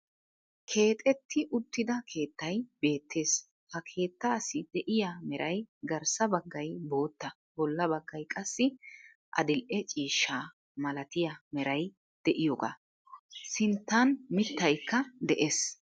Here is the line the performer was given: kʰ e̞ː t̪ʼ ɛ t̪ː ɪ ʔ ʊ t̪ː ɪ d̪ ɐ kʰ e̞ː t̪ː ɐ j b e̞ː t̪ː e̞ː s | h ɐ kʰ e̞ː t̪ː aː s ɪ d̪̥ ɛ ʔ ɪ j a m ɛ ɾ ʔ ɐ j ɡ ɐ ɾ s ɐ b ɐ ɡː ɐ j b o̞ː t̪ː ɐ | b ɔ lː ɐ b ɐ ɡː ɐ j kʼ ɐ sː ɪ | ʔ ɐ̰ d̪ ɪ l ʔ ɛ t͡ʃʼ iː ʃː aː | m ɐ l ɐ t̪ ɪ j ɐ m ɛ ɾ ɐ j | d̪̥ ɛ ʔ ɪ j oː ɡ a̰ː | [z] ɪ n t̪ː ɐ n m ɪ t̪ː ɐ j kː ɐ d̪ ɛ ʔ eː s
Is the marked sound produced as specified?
no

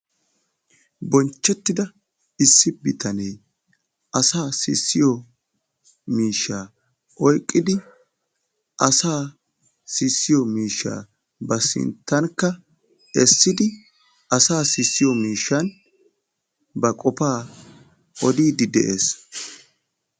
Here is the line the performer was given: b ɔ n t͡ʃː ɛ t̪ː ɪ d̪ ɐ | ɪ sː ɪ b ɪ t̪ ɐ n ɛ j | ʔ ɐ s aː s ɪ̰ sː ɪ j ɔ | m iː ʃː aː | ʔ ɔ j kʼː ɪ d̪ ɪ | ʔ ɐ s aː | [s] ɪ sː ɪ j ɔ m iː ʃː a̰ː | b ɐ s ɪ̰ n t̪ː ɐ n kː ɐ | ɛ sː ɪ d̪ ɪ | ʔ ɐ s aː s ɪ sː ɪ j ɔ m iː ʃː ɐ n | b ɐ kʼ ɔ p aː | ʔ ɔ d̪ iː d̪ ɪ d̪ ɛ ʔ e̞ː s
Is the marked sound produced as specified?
yes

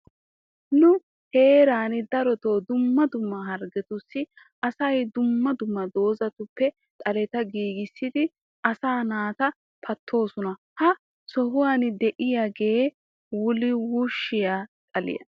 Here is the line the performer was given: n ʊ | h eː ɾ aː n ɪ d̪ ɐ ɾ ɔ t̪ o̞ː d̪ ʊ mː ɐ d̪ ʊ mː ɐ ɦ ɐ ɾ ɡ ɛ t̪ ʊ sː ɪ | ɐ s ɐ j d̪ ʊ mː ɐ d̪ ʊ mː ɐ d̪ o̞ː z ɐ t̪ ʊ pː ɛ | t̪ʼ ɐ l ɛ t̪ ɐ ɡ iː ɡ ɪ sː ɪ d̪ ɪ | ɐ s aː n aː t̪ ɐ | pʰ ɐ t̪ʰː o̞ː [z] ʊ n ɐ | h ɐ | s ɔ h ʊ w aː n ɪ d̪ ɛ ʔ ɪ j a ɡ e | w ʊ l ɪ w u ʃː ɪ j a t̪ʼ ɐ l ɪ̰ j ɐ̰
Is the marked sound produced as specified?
no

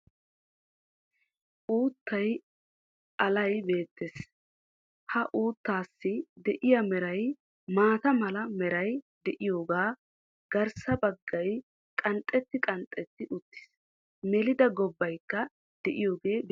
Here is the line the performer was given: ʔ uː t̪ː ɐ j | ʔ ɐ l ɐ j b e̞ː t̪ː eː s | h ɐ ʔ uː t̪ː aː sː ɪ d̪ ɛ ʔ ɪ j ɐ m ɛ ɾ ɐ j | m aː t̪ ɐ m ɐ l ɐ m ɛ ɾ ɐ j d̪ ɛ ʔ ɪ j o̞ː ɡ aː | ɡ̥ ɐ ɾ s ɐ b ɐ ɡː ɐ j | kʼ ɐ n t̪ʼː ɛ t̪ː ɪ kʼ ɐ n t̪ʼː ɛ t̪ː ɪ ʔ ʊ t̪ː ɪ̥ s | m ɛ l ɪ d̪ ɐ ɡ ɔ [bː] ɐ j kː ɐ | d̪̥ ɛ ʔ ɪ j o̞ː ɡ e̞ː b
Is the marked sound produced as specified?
yes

